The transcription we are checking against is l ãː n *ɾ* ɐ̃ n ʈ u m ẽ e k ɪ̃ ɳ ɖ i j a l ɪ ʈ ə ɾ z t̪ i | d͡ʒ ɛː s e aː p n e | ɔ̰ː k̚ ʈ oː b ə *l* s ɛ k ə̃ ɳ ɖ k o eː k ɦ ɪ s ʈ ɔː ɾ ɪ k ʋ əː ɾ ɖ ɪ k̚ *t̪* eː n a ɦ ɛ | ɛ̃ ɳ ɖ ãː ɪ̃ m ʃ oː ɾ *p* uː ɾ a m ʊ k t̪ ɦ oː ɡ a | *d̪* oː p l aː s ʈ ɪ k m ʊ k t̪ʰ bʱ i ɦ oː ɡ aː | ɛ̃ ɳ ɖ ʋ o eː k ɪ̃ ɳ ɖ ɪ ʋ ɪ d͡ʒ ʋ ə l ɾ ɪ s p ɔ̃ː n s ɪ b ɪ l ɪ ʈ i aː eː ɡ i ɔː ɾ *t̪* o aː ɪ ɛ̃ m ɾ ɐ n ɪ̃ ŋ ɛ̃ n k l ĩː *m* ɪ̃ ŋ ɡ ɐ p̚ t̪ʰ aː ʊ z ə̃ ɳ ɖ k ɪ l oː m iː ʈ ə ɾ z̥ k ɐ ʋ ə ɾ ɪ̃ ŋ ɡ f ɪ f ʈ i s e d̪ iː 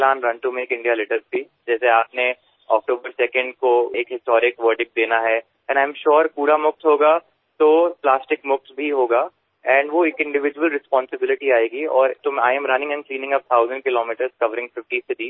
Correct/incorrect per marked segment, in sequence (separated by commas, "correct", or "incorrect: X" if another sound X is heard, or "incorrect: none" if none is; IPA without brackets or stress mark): correct, incorrect: ɾ, incorrect: d̪, correct, incorrect: t̪, correct, incorrect: n